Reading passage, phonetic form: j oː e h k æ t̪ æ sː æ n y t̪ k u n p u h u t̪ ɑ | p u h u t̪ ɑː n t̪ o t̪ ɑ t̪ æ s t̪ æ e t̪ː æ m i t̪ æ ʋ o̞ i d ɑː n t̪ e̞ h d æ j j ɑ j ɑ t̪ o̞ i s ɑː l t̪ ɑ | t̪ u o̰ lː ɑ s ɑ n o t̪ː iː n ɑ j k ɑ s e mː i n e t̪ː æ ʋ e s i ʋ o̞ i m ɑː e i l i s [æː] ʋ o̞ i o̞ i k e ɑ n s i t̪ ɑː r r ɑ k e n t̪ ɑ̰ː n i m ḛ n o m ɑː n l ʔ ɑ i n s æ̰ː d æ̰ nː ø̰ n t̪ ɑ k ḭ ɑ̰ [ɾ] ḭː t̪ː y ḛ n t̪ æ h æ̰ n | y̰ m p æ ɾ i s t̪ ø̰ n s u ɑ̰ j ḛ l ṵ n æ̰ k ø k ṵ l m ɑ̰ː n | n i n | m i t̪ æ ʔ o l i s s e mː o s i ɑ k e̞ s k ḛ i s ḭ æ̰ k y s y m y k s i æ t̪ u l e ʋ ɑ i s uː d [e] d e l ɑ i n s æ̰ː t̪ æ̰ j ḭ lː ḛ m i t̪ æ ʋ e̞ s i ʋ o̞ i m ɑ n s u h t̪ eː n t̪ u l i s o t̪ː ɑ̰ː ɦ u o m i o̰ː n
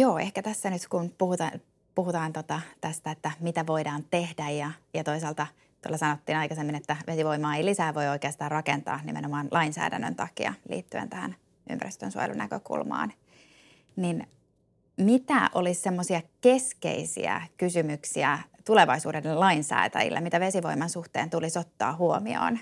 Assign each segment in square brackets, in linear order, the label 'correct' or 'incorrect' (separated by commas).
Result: correct, incorrect, correct